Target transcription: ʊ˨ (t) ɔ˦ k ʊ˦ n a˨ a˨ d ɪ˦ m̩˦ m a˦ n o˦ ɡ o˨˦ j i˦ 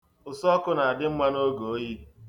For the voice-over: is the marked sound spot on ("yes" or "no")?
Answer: no